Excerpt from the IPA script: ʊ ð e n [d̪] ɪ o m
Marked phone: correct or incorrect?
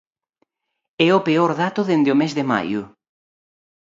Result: correct